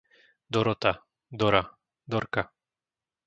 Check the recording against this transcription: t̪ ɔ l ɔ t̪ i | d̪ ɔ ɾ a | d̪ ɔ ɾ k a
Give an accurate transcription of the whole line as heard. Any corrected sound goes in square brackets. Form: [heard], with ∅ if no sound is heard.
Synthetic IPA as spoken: [d̪] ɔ [ɾ] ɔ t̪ [a] | d̪ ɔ ɾ a | d̪ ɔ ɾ k a